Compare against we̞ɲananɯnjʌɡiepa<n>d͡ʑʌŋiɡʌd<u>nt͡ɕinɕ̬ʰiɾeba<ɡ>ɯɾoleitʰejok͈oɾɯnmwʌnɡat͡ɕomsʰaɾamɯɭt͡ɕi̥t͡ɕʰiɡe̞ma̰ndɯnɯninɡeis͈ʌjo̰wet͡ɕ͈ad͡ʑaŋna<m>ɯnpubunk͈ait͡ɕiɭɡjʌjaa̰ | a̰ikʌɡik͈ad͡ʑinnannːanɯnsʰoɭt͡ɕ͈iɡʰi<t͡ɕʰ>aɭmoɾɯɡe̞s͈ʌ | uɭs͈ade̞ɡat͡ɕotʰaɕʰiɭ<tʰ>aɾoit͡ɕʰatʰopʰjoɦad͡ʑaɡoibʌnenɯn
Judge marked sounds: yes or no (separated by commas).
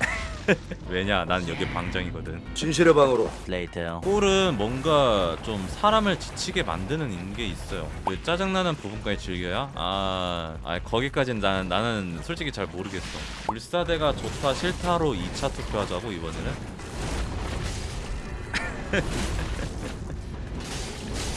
no, no, no, no, no, yes